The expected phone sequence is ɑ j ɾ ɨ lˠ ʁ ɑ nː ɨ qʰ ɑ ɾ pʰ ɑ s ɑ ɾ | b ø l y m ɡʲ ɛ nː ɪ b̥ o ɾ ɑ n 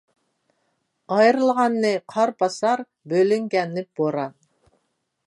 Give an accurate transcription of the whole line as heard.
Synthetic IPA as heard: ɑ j ɾ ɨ lˠ ʁ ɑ nː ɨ qʰ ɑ ɾ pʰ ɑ s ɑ ɾ | b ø l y ŋ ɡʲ ɛ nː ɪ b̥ o ɾ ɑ n

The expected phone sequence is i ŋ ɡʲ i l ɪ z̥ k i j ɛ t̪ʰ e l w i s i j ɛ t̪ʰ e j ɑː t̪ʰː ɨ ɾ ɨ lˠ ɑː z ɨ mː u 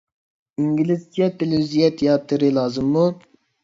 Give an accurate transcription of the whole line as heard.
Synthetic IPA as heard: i ŋ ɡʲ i l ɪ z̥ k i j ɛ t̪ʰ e l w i z i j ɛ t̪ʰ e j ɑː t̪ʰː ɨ ɾ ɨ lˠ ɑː z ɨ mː u

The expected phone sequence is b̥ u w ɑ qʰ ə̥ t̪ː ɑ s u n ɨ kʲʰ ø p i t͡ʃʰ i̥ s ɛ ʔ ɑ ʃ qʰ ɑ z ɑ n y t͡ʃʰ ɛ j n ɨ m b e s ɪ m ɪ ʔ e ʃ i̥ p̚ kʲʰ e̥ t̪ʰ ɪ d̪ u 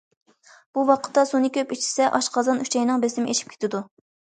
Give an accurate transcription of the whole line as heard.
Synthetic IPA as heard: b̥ u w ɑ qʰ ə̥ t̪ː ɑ s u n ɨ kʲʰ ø p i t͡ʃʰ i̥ s ɛ ʔ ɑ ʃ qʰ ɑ z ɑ n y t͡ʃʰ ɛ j n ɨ ŋ b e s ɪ m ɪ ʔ e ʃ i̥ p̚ kʲʰ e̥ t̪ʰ ɪ d̪ u

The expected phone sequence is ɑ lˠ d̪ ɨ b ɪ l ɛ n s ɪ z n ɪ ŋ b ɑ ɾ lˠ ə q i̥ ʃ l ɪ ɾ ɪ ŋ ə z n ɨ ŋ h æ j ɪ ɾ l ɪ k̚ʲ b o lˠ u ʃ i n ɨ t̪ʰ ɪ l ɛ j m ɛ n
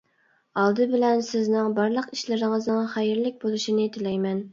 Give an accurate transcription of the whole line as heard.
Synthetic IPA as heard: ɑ lˠ d̪ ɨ b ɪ l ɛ n s ɪ z n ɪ ŋ b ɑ ɾ lˠ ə q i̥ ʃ l ɪ ɾ ɪ ŋ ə z n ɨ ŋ χ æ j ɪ ɾ l ɪ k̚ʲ b o lˠ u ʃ i n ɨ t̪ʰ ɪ l ɛ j m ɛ n

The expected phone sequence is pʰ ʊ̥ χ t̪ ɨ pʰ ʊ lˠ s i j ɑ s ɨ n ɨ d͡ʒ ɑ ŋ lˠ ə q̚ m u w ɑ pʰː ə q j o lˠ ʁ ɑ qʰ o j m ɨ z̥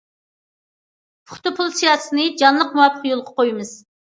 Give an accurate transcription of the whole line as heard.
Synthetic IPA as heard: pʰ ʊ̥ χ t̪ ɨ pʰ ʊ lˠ s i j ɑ s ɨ n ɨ d͡ʒ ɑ n lˠ ə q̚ m u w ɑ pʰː ə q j o lˠ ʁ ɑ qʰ o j m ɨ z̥

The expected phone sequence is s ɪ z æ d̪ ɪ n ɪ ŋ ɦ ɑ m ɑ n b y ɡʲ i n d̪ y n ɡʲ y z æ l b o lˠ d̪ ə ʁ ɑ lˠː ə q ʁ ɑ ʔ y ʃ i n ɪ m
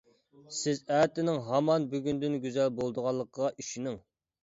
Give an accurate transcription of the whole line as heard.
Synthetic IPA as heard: s ɪ z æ t̪ ɪ n ɪ ŋ ɦ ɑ m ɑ n b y ɡʲ y n d̪ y n ɡʲ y z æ l b o lˠ d̪ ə ʁ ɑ lˠː ə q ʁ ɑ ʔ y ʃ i n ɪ ŋ

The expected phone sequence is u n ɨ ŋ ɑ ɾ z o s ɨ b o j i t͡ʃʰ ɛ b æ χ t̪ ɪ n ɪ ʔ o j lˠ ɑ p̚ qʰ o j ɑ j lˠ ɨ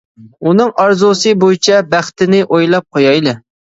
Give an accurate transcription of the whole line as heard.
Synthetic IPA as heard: u n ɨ ŋ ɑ ɾ z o s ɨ b o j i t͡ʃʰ ɛ b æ χ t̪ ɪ n ɪ ʔ o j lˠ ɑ p̚ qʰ o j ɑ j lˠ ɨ

